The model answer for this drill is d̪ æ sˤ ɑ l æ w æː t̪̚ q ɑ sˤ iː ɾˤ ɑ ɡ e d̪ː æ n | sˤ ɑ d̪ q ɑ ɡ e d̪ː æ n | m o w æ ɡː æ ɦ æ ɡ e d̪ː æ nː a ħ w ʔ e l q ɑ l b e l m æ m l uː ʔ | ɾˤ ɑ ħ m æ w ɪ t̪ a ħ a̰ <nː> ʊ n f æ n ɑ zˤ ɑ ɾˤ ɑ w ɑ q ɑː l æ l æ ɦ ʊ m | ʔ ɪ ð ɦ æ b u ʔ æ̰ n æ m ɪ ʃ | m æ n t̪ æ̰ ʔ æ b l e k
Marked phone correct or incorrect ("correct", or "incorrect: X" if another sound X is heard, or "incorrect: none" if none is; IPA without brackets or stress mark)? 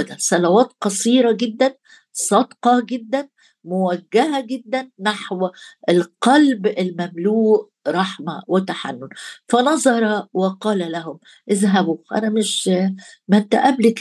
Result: correct